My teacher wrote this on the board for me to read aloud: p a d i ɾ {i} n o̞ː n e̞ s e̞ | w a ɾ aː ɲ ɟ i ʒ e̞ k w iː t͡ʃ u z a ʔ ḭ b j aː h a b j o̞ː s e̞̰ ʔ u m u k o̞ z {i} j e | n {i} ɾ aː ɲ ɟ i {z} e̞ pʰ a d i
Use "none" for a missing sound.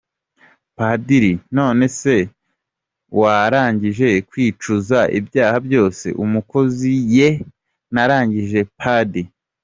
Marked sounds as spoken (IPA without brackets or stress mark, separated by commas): i, i, a, ʒ